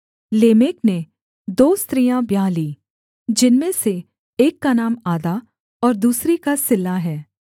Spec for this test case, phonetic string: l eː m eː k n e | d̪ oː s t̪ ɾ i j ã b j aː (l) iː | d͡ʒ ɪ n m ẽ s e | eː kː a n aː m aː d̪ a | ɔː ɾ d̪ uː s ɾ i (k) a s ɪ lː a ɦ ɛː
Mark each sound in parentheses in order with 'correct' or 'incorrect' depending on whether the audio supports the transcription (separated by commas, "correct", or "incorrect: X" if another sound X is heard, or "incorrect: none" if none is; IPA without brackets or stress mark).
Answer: correct, correct